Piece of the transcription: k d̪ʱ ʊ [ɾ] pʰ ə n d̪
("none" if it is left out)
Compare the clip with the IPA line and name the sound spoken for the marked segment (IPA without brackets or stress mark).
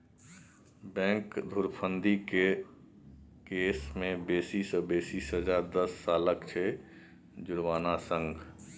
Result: ɾ